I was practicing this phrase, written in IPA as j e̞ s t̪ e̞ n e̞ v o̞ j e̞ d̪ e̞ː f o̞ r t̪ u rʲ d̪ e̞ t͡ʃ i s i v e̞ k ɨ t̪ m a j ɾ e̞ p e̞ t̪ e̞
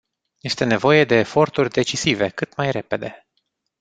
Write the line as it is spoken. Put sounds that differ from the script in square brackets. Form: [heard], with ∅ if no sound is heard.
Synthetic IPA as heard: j e̞ s t̪ e̞ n e̞ v o̞ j e̞ d̪ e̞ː f o̞ r t̪ u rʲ d̪ e̞ t͡ʃ i s i v e̞ k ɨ t̪ m a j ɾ e̞ p e̞ [d̪] e̞